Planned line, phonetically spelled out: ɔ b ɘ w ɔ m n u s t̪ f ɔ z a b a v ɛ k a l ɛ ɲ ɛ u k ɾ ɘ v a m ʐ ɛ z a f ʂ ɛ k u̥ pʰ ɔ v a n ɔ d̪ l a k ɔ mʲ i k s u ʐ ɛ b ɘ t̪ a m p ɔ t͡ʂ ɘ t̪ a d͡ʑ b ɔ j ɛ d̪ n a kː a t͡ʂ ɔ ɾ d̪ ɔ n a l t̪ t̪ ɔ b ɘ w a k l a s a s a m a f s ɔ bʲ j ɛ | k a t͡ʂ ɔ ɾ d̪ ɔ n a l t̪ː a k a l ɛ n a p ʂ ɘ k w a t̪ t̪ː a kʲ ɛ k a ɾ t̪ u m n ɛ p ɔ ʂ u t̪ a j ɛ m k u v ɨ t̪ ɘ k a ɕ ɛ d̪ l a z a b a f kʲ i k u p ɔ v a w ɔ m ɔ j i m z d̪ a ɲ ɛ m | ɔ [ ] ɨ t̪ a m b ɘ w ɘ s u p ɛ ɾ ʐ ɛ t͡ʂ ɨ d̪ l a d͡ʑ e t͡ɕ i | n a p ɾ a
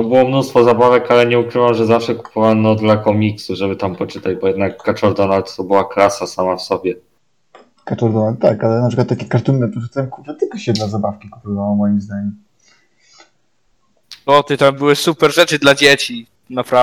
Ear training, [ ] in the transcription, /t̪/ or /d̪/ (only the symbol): t̪